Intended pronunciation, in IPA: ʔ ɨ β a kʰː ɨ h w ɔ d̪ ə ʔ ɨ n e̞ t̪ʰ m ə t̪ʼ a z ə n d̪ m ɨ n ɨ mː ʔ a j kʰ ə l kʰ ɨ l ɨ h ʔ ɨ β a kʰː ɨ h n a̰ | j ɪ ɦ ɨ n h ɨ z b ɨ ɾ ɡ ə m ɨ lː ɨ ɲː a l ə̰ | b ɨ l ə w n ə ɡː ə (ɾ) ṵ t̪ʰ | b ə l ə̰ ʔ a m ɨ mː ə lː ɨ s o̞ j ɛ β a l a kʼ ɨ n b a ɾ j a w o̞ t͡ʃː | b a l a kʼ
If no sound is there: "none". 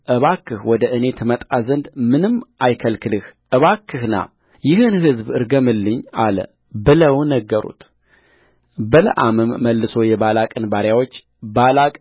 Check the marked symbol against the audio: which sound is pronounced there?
ɾ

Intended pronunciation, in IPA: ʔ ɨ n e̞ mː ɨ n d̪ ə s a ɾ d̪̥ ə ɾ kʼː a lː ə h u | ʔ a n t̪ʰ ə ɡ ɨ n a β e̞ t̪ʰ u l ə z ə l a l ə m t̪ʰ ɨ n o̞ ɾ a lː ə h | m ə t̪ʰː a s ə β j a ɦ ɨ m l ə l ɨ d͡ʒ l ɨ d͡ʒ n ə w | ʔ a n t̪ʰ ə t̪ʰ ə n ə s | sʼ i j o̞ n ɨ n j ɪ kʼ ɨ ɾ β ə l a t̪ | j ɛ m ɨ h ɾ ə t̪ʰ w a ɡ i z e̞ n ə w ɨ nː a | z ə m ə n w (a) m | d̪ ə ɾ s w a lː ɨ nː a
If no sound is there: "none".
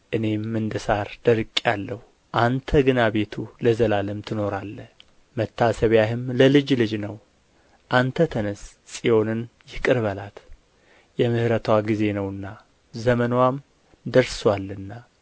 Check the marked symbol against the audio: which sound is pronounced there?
a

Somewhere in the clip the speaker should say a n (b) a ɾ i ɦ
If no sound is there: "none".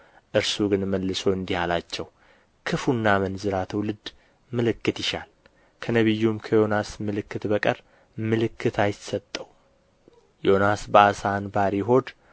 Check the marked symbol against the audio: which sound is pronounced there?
b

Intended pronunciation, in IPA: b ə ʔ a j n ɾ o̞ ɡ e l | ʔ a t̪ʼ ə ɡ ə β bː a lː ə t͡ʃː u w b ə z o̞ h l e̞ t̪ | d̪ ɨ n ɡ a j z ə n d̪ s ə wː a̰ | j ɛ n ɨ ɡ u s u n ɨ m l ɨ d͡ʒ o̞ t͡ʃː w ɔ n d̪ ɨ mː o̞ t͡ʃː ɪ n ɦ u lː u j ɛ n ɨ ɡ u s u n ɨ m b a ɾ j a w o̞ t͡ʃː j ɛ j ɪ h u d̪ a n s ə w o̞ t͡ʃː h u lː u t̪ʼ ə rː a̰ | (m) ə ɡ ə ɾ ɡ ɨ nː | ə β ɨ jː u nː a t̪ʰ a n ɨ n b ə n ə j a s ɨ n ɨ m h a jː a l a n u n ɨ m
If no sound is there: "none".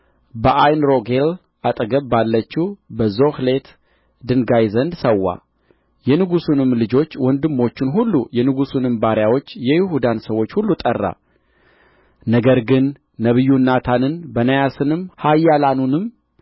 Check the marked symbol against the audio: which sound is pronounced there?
n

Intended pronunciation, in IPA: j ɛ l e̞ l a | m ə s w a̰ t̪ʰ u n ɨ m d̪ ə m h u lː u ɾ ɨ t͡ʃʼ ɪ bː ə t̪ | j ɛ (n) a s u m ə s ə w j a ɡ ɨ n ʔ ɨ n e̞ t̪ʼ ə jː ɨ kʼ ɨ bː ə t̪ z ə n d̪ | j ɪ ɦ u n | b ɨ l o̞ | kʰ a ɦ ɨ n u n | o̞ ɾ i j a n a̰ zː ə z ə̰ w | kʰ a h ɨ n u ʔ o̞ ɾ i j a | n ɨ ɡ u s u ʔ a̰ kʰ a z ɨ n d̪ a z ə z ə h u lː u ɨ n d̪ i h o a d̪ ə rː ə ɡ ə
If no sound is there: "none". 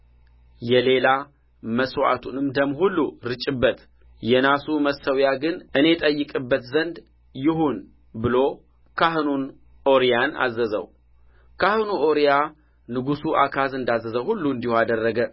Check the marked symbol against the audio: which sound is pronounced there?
n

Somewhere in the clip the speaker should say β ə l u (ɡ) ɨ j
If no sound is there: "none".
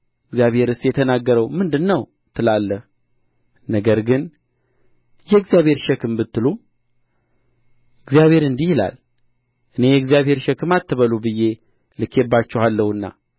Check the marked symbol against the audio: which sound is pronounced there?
b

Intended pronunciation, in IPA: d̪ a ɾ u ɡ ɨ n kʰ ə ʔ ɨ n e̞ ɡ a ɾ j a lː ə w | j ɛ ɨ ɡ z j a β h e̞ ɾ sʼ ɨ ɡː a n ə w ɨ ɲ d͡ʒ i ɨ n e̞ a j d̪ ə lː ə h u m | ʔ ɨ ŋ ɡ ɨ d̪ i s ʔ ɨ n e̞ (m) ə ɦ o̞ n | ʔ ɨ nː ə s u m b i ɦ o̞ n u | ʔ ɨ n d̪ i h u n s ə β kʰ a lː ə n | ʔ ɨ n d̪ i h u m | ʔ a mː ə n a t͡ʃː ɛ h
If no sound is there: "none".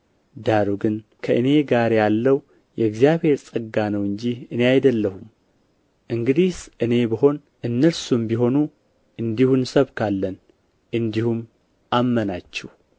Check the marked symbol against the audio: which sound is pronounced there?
b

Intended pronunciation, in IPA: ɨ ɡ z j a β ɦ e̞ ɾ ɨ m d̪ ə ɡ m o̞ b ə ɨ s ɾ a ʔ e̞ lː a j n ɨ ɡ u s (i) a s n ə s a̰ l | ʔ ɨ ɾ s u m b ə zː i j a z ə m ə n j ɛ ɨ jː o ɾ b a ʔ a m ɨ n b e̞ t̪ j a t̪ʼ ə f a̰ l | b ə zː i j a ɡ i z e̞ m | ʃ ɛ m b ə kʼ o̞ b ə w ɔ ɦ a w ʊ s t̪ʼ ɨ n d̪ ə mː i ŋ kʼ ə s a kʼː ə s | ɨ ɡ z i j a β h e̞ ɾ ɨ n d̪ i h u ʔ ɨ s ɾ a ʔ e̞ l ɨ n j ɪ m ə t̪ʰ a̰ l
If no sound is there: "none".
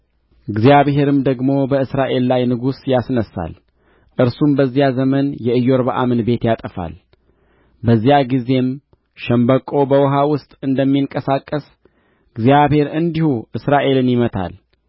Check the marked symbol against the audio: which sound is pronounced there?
j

